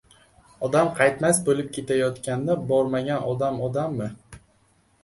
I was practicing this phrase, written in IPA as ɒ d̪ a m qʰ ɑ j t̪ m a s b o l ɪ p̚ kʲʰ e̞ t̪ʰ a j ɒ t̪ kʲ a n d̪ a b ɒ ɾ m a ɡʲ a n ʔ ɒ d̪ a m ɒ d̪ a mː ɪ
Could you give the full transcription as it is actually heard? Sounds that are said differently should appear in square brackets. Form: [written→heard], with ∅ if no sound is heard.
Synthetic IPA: ɒ d̪ a m qʰ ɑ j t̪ m a s b o l ɪ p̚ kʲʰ e̞ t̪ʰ a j ɒ t̪ kʲ a n d̪ a b ɒ ɾ m a ɡʲ a n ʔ ɒ d̪ a m ɒ d̪ a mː ɪ